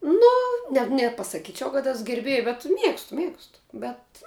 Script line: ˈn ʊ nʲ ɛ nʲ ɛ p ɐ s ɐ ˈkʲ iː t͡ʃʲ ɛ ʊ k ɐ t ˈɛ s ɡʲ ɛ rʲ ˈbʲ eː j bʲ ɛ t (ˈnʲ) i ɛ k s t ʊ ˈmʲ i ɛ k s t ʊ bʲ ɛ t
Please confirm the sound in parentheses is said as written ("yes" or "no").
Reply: no